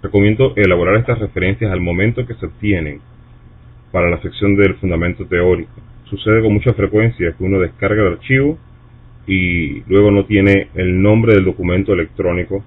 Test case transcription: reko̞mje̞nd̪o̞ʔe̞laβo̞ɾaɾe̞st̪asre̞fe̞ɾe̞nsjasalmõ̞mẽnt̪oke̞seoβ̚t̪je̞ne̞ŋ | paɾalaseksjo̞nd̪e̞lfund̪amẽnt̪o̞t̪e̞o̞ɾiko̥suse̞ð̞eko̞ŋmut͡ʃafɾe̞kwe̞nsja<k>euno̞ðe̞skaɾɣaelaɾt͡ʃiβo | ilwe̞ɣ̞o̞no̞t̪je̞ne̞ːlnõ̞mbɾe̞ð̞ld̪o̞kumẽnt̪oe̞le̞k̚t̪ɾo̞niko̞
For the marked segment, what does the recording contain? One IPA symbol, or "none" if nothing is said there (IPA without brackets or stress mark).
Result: k